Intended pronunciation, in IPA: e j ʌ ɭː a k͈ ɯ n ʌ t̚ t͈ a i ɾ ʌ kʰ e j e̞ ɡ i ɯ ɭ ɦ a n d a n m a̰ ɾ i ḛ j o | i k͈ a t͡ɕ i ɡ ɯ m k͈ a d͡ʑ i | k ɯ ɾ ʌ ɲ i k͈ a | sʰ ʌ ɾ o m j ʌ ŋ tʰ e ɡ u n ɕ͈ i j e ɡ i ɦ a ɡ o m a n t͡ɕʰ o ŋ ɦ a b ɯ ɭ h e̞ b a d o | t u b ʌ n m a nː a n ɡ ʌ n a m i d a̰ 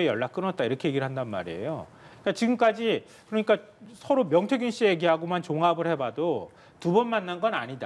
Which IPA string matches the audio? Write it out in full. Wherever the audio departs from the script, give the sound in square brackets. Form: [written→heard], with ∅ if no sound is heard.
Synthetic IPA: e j ʌ ɭː a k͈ ɯ n ʌ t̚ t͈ a i ɾ ʌ kʰ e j e̞ ɡ i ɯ ɭ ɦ a n d a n m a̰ ɾ i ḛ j o | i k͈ a t͡ɕ i ɡ ɯ m k͈ a d͡ʑ i | k ɯ ɾ ʌ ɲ i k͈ a | sʰ ʌ ɾ o m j ʌ ŋ tʰ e ɡ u n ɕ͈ i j e ɡ i ɦ a ɡ o m a n [t͡ɕʰ→t͡ɕ] o ŋ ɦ a b ɯ ɭ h e̞ b a d o | t u b ʌ n m a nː a n ɡ ʌ n a [m→ɲ] i d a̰